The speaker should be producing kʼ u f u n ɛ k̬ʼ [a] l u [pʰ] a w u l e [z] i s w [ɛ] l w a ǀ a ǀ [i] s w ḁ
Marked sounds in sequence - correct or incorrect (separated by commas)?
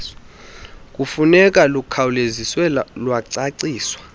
correct, incorrect, correct, correct, incorrect